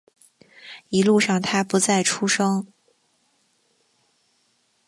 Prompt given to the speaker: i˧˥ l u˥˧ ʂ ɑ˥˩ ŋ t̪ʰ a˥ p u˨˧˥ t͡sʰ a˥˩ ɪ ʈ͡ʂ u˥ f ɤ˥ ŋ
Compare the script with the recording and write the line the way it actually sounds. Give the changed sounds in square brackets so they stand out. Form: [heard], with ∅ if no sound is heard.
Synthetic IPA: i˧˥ l u˥˧ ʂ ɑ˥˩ ŋ t̪ʰ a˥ p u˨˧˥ [t͡s] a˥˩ ɪ [ʈ͡ʂʰ] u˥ [ʂ] ɤ˥ ŋ

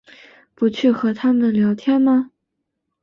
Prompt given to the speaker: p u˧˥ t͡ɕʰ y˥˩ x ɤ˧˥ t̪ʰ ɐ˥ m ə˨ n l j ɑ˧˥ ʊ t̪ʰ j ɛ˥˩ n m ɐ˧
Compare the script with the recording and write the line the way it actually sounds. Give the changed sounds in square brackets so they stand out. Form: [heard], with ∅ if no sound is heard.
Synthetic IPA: p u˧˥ t͡ɕʰ y˥˩ x ɤ˧˥ t̪ʰ [a˥] m ə˨ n l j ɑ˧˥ ʊ t̪ʰ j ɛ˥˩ n m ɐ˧

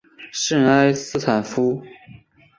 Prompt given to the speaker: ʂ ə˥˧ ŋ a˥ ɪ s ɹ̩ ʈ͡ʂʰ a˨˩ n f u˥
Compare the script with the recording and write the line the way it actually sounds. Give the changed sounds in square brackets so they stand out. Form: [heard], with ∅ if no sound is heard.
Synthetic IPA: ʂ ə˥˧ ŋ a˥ ɪ s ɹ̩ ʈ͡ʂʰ a˨˩ n f u˥

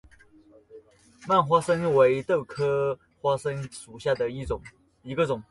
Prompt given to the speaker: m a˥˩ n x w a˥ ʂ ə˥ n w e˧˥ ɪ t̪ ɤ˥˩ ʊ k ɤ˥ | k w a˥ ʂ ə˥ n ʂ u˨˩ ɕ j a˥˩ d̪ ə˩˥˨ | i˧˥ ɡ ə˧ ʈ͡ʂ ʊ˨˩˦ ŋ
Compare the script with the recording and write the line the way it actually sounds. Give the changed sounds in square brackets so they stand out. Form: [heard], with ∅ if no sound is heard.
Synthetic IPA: m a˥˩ n x w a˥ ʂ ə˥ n w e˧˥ ɪ t̪ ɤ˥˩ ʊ [kʰ] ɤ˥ | [x] w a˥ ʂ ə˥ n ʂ u˨˩ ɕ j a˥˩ d̪ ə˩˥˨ | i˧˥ ɡ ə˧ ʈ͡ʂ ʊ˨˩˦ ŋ

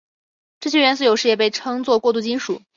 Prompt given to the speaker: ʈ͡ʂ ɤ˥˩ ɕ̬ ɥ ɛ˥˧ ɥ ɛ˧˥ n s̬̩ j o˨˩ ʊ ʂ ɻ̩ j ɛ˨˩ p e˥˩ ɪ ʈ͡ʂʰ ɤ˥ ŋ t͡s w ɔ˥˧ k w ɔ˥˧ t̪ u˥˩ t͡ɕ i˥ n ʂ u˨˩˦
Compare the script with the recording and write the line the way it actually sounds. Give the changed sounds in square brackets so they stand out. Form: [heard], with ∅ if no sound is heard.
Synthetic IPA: ʈ͡ʂ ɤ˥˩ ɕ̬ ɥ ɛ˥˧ ɥ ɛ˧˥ n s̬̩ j o˨˩ ʊ ʂ ɻ̩ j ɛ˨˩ p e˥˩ ɪ ʈ͡ʂʰ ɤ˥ ŋ t͡s w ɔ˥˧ k w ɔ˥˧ t̪ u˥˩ t͡ɕ i˥ n ʂ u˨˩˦

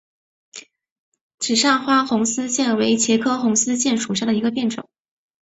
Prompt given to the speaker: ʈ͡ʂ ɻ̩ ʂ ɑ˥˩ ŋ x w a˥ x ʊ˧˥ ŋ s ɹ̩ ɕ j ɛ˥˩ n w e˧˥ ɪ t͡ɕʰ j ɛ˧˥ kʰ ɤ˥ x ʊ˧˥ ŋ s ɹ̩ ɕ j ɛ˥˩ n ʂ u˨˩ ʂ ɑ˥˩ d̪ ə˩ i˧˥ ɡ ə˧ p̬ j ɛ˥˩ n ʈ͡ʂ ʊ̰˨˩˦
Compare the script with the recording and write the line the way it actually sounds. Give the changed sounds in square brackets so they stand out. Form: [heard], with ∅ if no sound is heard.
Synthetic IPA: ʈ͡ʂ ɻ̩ ʂ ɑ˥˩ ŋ x w a˥ x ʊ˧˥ ŋ s ɹ̩ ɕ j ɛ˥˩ n w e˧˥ ɪ t͡ɕʰ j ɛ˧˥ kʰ ɤ˥ x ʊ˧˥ ŋ s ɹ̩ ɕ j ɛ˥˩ n ʂ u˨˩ ʂ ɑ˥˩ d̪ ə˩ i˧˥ ɡ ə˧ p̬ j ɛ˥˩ n ʈ͡ʂ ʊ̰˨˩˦

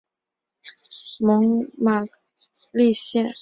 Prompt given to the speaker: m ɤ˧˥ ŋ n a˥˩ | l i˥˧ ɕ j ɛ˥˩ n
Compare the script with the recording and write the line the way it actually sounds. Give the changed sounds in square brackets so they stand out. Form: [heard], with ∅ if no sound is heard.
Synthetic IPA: m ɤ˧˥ ŋ [m] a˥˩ | l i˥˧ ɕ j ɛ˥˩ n

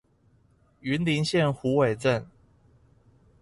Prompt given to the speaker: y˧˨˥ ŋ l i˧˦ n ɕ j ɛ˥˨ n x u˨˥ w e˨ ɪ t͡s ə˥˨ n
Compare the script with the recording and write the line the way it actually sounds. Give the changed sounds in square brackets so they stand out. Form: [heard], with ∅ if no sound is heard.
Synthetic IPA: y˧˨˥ [n] l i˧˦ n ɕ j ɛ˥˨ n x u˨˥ w e˨ ɪ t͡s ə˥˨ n

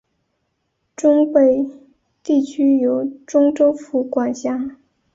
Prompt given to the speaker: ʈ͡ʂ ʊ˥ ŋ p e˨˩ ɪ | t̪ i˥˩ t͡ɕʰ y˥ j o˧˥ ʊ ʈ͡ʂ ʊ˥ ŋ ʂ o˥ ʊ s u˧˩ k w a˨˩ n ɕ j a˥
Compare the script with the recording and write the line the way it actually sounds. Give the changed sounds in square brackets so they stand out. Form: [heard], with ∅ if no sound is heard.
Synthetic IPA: ʈ͡ʂ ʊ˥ ŋ p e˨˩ ɪ | t̪ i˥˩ t͡ɕʰ y˥ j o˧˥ ʊ ʈ͡ʂ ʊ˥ ŋ [ʈ͡ʂ] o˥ ʊ [f] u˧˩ k w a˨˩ n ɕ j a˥

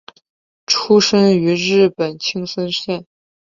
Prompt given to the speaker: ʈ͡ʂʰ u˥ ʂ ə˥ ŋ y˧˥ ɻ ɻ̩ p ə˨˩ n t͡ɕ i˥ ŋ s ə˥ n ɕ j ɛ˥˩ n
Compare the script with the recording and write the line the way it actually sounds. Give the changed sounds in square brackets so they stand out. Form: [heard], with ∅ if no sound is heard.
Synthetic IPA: ʈ͡ʂʰ u˥ ʂ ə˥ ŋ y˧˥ ɻ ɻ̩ p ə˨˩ n [t͡ɕʰ] i˥ ŋ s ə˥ n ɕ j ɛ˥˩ n

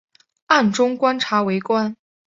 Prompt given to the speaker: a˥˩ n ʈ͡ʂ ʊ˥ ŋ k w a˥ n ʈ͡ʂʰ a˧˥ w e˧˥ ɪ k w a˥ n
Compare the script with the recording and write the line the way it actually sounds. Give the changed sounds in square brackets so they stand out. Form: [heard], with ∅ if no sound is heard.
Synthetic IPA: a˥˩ n ʈ͡ʂ ʊ˥ ŋ k w a˥ n ʈ͡ʂʰ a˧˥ w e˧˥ ɪ k w a˥ n

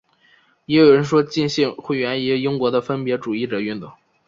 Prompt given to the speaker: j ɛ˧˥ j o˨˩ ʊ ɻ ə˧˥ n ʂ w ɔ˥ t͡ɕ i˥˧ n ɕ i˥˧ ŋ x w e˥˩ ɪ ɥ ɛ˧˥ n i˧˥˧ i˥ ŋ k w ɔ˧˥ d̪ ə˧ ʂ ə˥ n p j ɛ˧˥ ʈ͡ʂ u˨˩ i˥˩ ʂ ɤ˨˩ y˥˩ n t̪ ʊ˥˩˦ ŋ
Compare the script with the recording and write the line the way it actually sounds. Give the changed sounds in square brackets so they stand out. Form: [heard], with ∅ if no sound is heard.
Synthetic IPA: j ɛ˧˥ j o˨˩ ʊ ɻ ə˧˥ n ʂ w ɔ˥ t͡ɕ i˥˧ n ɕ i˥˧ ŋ x w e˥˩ ɪ ɥ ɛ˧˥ n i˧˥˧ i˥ ŋ k w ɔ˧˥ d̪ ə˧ [f] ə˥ n p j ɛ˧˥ ʈ͡ʂ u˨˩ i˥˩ [ʈ͡ʂ] ɤ˨˩ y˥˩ n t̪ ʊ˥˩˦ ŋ

